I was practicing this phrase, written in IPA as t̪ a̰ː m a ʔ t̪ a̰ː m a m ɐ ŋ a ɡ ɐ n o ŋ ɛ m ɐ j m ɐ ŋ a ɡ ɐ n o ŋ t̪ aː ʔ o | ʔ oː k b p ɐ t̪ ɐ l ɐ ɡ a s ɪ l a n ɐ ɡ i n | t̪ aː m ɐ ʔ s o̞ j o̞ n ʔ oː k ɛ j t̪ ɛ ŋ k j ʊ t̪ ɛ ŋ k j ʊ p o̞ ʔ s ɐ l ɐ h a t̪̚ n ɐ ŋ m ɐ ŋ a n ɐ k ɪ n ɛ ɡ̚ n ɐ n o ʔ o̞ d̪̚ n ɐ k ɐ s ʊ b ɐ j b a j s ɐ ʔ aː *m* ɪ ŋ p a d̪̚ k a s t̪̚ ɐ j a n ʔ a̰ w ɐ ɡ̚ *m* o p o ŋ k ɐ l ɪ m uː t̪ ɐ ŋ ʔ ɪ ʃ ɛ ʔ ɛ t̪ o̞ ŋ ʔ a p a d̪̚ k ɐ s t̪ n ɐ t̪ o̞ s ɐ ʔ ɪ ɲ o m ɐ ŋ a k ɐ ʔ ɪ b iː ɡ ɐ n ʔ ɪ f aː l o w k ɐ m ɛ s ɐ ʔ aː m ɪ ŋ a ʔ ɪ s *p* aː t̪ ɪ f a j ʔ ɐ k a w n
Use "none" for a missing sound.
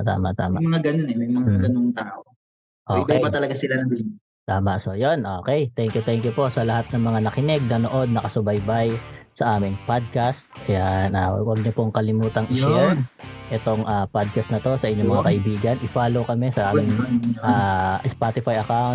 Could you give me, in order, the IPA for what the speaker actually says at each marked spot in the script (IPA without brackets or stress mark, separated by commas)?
m, ɲ, p